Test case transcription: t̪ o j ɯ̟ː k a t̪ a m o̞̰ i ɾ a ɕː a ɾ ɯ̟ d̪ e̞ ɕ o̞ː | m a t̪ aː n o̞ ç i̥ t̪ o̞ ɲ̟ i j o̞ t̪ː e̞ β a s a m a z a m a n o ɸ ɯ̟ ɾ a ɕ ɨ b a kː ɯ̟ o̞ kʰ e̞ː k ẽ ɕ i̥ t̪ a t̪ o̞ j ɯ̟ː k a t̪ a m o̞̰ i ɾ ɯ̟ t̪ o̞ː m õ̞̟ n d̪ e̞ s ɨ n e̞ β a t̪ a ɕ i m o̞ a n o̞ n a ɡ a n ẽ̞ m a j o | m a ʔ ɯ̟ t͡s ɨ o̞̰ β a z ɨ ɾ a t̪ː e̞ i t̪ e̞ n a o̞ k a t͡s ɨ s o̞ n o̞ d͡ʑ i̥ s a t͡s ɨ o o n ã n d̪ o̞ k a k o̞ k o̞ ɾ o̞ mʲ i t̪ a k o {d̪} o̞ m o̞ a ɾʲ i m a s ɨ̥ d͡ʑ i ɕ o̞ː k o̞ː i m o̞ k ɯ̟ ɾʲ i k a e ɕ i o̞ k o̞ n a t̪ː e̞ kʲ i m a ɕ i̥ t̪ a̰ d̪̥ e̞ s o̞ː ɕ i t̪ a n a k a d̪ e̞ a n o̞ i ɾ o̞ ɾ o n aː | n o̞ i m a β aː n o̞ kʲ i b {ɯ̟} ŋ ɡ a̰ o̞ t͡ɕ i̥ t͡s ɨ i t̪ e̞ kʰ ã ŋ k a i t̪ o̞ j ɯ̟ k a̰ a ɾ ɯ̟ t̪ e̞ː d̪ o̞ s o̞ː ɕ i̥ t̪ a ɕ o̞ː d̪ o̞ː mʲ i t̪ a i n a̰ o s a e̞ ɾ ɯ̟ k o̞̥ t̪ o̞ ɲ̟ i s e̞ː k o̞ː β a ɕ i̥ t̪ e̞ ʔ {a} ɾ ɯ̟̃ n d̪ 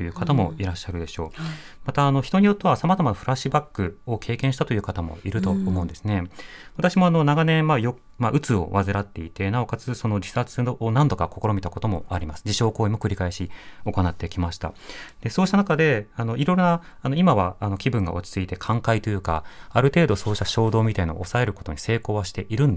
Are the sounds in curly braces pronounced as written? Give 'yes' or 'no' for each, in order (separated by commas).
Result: no, no, no